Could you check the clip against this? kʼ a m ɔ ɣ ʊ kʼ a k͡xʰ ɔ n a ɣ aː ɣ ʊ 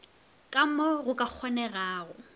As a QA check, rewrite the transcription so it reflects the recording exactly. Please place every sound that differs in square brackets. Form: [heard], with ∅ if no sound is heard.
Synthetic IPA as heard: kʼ a m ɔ ɣ ʊ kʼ a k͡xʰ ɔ n [ɛ] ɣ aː ɣ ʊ